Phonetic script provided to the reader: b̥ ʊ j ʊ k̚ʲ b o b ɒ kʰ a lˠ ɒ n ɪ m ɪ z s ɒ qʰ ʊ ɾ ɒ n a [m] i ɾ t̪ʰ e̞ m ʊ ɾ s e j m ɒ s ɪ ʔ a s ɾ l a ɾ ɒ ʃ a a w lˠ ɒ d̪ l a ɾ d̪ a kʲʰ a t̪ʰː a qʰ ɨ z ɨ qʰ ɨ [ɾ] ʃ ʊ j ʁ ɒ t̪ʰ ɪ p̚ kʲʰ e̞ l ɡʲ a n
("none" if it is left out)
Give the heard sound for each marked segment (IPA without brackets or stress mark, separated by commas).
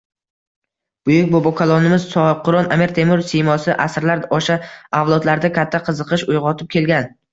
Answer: m, none